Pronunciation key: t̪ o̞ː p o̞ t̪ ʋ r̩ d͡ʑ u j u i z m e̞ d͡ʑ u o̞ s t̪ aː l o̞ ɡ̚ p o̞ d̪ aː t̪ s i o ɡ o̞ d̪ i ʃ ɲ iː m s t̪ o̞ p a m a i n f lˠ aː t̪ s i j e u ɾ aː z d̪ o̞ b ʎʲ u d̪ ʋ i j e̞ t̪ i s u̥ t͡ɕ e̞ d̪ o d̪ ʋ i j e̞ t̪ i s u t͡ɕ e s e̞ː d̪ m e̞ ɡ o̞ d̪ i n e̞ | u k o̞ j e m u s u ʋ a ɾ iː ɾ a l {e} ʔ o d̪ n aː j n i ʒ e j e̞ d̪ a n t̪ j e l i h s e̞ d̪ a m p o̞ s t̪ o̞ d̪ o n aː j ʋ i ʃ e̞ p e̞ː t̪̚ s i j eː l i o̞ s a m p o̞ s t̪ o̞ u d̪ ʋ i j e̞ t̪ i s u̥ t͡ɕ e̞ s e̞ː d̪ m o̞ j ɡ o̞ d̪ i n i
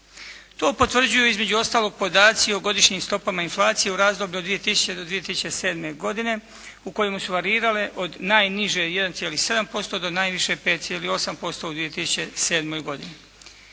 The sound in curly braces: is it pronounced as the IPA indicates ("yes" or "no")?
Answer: yes